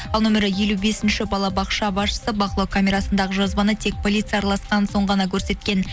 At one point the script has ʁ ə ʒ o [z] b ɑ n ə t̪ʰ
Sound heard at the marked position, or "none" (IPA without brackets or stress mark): z